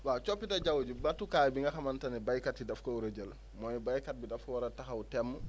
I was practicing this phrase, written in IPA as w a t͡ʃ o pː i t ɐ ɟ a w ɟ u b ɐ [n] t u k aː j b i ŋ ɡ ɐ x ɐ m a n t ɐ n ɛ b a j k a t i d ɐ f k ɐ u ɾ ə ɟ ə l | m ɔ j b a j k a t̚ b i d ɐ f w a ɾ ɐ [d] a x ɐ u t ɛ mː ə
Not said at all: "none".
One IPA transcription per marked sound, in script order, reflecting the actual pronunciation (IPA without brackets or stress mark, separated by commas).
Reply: none, t